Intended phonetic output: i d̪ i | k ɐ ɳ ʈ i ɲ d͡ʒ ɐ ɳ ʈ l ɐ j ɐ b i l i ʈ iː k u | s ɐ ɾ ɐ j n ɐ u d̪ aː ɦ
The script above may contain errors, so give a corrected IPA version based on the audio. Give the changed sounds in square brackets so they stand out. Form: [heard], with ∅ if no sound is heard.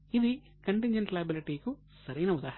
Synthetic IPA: i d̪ i | k ɐ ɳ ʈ i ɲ d͡ʒ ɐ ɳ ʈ l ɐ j ɐ b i l i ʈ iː k u | s ɐ ɾ ɐ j n ɐ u d̪ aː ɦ